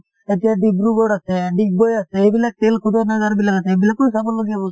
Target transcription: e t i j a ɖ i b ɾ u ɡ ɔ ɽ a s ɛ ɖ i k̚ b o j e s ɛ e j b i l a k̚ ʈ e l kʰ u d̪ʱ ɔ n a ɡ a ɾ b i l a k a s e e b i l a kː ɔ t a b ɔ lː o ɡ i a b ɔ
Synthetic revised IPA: e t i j a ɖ i b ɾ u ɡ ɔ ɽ a s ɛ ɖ i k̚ b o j a s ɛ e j b i l a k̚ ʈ e l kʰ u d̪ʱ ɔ n a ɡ a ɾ b i l a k a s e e b i l a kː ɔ s a b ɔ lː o ɡ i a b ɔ